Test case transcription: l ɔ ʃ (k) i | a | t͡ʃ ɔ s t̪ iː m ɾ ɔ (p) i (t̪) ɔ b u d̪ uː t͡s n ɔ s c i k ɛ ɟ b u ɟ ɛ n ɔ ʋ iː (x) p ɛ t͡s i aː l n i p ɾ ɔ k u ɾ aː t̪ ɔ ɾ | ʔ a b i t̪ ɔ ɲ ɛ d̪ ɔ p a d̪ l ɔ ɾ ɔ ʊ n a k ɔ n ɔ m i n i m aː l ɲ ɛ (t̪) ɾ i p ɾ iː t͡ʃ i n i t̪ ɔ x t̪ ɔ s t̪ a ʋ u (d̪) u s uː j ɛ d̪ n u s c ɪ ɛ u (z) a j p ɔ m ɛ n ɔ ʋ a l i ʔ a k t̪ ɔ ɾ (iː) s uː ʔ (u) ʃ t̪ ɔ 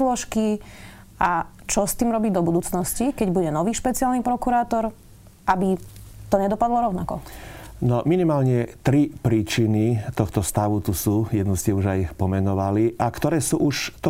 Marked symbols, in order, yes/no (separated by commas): yes, no, no, no, yes, no, no, no, yes